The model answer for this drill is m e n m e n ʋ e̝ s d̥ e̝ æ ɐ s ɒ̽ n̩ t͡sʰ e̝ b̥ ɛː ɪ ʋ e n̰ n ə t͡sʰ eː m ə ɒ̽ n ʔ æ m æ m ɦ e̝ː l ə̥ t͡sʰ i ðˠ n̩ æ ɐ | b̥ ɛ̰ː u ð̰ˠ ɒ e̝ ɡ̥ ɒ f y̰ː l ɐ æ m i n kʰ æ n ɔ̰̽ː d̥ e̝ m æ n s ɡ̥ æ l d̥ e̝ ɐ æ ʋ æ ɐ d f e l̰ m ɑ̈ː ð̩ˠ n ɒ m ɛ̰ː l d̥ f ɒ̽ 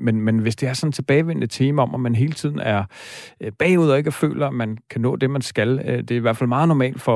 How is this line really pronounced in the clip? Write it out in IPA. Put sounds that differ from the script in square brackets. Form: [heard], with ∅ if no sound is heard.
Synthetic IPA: m e n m e n ʋ e̝ s d̥ e̝ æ ɐ s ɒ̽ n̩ t͡sʰ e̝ b̥ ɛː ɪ ʋ e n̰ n ə t͡sʰ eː m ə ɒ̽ [m] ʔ æ m æ [n] ɦ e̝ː l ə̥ t͡sʰ i ðˠ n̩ æ ɐ | b̥ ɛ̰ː u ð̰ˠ ɒ e̝ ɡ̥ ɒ f [ø̰ː] l ɐ æ m [æ] n kʰ æ n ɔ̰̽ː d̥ e̝ m æ n s ɡ̥ æ l d̥ e̝ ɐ [i] ʋ æ ɐ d f [æ] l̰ m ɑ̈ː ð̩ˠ n ɒ m ɛ̰ː l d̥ f ɒ̽